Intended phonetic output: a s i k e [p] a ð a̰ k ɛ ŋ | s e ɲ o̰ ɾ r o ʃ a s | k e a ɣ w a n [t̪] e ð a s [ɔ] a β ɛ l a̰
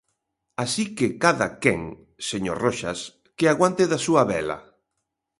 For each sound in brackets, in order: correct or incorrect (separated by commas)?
incorrect, correct, incorrect